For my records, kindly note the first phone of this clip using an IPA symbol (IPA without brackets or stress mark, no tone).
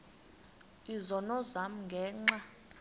i